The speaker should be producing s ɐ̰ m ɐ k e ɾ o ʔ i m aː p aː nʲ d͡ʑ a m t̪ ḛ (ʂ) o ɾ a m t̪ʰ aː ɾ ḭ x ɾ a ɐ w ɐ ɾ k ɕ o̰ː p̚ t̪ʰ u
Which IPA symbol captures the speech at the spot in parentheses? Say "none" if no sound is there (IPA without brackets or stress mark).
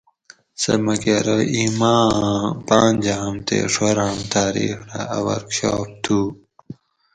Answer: ʂ